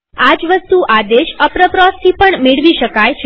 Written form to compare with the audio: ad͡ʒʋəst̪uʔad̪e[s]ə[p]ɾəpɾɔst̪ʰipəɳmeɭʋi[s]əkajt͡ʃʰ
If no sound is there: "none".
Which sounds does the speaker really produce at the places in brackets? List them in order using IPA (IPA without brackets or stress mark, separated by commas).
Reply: ʃ, p, ʃ